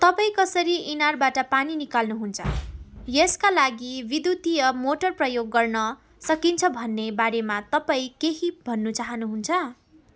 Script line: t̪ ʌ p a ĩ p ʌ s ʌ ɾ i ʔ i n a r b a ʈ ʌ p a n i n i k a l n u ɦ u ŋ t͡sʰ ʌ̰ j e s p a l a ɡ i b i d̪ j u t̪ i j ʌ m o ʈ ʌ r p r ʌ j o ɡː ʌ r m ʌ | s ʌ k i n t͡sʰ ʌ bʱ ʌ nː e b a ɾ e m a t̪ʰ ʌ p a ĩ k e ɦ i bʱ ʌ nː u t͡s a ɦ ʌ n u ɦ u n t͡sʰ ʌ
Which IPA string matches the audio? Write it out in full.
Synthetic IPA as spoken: t̪ ʌ p a ĩ k ʌ s ʌ ɾ i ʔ i n a r b a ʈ ʌ p a n i n i k a l n u ɦ u n t͡sʰ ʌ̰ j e s k a l a ɡ i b i d̪ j u t̪ i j ʌ m o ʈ ʌ r p r ʌ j o ɡː ʌ r n ʌ | s ʌ k i n t͡sʰ ʌ bʱ ʌ nː e b a ɾ e m a t̪ ʌ p a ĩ k e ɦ i bʱ ʌ nː u t͡s a ɦ ʌ n u ɦ u n t͡sʰ ʌ